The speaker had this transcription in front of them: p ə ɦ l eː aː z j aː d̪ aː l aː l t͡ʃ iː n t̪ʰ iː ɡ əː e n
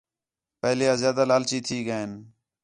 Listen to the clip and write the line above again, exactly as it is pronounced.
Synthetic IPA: p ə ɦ l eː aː z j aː d̪ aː l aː l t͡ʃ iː t̪ʰ iː ɡ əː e n